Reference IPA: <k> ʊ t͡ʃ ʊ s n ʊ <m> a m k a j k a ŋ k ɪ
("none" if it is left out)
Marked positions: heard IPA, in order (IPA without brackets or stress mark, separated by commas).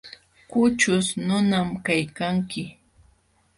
k, n